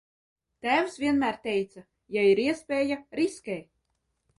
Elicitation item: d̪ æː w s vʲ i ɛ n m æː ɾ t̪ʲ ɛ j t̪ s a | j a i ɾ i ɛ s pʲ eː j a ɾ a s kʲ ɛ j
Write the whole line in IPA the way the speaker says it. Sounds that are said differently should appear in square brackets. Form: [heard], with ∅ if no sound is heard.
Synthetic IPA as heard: [t̪] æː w s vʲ i ɛ n m æː ɾ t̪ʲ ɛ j t̪ s a | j a i ɾ i ɛ s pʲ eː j a ɾ [i] s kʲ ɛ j